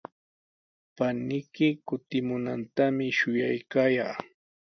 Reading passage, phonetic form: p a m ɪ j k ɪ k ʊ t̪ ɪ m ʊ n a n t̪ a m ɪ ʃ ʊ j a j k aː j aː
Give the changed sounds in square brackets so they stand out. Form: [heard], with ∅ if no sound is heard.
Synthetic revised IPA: p a [n] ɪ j k ɪ k ʊ t̪ ɪ m ʊ n a n t̪ a m ɪ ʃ ʊ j a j k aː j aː